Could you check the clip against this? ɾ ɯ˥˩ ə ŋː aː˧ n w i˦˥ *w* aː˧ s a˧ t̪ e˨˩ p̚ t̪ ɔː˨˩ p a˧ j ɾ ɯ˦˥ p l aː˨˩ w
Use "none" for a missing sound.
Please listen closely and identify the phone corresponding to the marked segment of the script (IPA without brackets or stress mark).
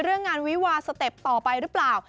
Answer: w